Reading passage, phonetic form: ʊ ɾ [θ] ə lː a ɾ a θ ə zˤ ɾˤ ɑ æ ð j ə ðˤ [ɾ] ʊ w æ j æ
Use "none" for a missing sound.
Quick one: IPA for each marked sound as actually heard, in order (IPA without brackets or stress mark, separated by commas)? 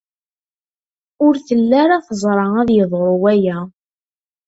θ, ɾ